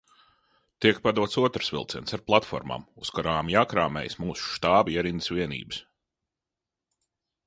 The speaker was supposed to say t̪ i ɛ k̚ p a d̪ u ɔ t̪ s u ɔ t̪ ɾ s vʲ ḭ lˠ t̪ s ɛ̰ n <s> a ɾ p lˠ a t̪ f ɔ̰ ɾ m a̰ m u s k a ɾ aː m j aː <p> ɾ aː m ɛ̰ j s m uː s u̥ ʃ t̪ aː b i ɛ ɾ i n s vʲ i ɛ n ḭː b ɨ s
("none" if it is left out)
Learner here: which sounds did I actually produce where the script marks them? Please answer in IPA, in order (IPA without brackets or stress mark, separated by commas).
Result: s, k